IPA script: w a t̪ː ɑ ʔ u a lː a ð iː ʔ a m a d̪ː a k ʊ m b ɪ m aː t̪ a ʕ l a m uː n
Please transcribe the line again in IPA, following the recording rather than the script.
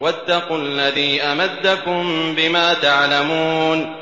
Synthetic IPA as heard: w a t̪ː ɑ q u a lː a ð iː ʔ a m a d̪ː a k ʊ m b ɪ m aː t̪ a ʕ l a m uː n